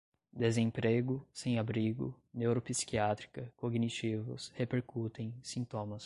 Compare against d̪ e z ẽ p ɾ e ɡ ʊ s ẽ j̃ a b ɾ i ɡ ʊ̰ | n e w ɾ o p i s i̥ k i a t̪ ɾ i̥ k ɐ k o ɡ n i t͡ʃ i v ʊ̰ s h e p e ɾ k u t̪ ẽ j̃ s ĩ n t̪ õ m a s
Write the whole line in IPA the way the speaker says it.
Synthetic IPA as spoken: d̪ e z ẽ p ɾ e ɡ ʊ s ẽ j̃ a b ɾ i ɡ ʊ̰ | n e w ɾ o p i s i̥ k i a t̪ ɾ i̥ k ɐ k o ɡ n i t͡ʃ i v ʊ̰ s h e p e ɾ k u t̪ ẽ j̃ s ĩ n t̪ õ m ɐ s